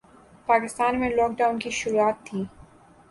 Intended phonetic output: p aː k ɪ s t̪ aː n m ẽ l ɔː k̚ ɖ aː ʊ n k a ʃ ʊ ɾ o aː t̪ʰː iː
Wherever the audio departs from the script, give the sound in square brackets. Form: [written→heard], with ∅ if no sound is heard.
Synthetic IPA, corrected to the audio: p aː k ɪ s t̪ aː n m ẽ l ɔː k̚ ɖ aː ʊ n k [a→i] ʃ ʊ ɾ [o→u] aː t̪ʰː iː